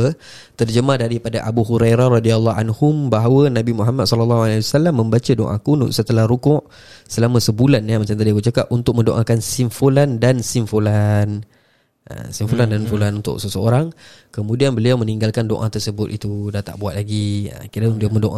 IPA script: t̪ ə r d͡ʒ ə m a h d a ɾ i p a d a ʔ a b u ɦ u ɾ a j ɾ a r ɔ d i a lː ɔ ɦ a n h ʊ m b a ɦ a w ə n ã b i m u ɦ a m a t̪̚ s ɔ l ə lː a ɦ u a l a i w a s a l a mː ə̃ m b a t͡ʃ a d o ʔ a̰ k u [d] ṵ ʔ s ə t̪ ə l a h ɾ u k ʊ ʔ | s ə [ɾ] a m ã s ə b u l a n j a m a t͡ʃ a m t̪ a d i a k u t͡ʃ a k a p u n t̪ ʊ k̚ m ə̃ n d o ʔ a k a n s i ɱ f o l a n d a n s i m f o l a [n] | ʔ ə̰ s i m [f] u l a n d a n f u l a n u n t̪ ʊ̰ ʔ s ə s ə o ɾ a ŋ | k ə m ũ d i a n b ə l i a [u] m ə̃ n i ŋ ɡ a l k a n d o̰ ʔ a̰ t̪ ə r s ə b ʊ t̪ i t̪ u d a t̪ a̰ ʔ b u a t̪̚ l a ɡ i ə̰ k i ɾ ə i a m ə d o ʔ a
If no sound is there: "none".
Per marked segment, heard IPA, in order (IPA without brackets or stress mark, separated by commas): n, l, n, f, w